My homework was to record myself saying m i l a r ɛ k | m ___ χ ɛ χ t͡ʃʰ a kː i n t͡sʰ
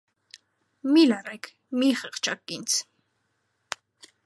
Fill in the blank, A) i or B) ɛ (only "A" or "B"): A